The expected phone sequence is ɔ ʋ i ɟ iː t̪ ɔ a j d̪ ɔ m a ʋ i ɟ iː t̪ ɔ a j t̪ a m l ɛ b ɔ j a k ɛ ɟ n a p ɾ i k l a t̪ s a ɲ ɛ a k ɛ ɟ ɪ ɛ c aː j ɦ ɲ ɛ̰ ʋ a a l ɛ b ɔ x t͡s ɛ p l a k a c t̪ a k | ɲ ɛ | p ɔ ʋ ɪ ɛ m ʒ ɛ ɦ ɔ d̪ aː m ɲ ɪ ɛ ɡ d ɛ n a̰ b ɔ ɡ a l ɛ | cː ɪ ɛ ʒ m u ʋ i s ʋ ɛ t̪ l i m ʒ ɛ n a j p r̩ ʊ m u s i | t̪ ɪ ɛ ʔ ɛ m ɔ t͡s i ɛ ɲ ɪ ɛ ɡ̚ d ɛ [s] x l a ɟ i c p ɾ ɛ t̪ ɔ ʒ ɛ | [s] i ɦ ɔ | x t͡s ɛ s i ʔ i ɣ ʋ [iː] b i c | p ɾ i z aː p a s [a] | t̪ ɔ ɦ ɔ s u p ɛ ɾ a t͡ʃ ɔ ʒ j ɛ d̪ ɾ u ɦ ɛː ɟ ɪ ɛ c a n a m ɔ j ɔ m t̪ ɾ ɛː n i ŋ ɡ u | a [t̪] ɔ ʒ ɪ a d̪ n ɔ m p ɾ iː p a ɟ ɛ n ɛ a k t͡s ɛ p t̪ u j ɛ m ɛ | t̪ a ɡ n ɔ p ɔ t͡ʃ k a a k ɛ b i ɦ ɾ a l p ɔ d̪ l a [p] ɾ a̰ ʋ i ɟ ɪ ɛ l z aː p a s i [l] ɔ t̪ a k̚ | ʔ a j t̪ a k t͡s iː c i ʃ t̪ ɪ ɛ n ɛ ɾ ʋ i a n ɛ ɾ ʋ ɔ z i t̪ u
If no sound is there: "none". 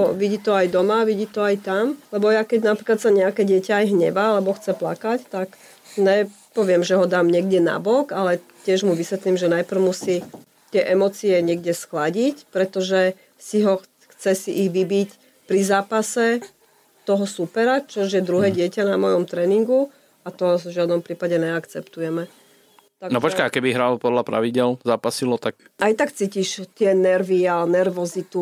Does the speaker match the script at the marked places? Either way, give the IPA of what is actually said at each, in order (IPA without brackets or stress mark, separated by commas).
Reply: s, s, i, ɛ, t̪, p, l